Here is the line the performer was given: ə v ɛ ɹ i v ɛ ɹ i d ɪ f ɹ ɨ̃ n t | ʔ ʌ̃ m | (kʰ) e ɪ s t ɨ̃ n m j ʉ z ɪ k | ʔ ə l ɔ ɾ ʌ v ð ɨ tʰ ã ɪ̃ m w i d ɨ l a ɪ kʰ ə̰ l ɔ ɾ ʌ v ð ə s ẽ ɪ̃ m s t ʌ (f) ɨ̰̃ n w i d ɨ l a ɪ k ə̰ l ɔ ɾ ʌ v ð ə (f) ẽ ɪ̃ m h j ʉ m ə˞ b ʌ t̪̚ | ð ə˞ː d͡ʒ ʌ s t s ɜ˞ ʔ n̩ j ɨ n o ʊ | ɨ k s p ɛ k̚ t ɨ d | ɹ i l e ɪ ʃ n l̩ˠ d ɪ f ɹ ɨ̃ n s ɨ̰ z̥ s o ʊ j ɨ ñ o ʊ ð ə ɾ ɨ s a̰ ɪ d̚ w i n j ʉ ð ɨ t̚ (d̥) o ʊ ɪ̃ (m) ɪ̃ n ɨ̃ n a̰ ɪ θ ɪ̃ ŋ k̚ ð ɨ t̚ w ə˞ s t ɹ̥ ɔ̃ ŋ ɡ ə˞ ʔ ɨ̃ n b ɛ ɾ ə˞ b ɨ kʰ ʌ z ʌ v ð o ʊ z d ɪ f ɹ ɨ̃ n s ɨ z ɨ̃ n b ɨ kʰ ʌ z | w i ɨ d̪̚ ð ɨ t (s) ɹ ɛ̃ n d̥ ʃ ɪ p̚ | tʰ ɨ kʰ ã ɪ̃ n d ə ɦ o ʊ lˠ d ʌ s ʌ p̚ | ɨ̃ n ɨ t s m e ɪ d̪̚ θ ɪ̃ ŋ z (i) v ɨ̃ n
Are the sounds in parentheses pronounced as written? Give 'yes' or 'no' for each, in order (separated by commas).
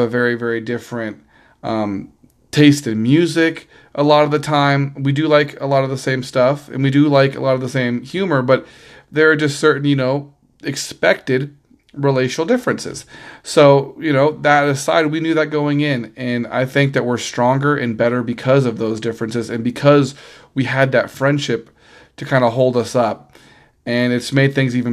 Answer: no, yes, no, no, no, no, yes